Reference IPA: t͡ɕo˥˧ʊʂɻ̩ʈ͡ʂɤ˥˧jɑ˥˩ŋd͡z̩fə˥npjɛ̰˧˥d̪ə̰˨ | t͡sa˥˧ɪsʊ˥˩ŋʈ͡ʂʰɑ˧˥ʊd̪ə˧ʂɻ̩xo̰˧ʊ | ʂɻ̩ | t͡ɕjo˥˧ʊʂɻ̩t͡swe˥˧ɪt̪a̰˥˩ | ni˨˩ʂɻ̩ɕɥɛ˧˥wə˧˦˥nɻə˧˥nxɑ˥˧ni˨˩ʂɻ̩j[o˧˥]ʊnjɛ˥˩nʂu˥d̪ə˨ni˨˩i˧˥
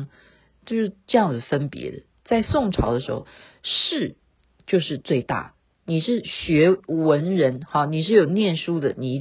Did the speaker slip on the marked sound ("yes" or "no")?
yes